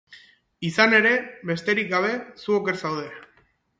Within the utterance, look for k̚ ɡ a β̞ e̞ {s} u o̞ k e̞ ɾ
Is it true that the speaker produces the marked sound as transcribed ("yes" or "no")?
yes